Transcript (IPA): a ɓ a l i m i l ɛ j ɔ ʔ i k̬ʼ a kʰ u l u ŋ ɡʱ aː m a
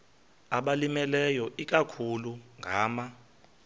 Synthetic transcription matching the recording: a ɓ a l i m ɛ l ɛ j ɔ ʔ i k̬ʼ a kʰ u l u ŋ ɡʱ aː m a